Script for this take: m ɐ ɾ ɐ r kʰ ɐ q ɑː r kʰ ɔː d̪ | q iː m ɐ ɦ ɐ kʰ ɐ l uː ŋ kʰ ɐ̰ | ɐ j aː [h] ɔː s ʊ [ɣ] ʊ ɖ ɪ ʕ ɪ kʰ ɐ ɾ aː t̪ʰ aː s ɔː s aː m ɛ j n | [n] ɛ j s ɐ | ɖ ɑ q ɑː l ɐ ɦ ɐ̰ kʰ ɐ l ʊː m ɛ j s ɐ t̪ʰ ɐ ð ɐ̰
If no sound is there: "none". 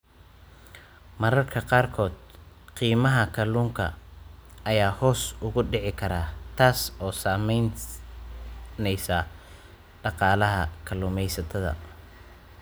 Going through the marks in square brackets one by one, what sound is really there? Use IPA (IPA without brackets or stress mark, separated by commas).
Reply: h, ɣ, n